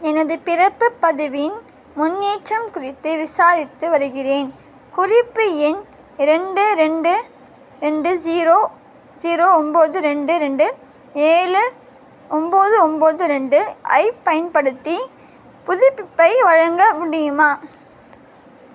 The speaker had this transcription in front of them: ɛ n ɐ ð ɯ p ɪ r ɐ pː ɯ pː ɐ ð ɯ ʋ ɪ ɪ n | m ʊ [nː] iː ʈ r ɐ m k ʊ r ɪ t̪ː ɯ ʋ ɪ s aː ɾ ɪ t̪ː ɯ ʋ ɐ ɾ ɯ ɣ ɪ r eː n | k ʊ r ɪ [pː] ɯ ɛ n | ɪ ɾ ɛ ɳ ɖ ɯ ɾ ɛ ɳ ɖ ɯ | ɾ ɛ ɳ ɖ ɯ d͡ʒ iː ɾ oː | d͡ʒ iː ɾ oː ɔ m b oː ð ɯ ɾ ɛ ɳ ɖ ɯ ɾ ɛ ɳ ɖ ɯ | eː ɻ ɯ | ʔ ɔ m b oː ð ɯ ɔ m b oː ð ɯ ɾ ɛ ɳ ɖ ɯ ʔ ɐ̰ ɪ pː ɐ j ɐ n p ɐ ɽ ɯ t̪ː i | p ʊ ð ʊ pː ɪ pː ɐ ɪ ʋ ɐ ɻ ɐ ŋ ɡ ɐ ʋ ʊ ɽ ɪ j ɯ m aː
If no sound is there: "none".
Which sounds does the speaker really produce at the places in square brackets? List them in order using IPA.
nː, pː

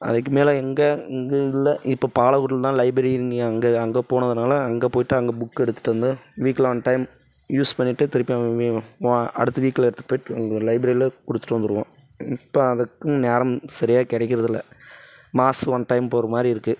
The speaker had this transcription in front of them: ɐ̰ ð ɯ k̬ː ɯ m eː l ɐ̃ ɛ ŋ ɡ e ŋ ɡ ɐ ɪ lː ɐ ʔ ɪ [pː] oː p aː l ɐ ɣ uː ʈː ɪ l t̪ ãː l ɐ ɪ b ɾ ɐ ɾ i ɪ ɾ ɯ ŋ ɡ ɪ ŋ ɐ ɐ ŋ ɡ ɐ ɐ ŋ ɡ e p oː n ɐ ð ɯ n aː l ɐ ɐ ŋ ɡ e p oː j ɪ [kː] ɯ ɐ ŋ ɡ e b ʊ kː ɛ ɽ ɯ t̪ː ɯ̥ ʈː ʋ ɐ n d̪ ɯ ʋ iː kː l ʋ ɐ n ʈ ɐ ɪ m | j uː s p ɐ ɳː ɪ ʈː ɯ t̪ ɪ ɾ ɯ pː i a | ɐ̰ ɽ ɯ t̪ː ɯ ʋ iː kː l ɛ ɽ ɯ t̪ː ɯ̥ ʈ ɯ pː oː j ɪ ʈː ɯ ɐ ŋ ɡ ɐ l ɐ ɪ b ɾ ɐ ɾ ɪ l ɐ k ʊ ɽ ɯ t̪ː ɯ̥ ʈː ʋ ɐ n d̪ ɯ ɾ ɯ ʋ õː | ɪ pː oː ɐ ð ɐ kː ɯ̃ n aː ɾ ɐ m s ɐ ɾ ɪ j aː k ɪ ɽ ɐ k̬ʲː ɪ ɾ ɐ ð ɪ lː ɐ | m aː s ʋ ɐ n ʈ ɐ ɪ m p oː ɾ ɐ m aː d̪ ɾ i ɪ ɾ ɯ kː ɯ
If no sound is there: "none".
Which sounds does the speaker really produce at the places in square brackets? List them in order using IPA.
pː, ʈː

